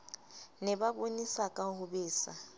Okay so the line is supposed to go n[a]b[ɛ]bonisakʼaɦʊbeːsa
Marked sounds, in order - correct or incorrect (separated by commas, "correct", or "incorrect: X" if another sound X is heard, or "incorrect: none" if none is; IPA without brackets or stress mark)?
incorrect: ɛ, incorrect: a